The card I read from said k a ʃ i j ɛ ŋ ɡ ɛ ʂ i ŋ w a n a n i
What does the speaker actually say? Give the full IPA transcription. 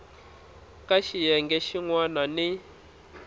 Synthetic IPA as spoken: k a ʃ i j ɛ ŋ ɡ ɛ ʃ i ŋ w a n a n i